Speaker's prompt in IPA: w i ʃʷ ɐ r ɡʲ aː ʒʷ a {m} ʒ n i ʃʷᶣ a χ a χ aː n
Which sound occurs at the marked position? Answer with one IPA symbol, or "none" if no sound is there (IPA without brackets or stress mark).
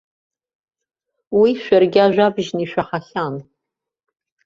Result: b